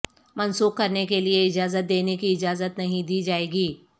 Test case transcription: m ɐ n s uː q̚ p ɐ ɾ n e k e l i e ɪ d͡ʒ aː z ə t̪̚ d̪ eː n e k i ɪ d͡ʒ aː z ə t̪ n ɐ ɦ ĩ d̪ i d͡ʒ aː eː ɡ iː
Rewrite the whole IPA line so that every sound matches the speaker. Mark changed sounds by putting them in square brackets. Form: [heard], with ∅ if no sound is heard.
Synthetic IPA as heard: m ɐ n s uː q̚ [k] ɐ ɾ n e k e l i e ɪ d͡ʒ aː z ə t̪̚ d̪ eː n e k i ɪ d͡ʒ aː z ə t̪ n ɐ ɦ ĩ d̪ [iː] d͡ʒ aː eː ɡ iː